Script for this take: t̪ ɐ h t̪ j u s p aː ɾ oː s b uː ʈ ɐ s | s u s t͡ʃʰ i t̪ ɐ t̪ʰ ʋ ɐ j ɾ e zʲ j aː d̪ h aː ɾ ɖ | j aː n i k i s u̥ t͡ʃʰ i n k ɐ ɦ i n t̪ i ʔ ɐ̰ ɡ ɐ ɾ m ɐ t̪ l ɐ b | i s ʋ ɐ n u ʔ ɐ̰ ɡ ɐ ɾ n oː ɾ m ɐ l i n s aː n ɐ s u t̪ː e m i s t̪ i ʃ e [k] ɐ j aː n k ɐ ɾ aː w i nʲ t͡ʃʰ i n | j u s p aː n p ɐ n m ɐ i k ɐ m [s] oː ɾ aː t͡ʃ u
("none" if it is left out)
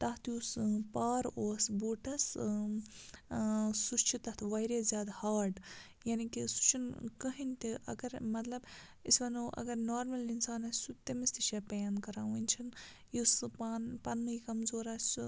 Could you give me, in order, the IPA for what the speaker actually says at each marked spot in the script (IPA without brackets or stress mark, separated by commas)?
p, z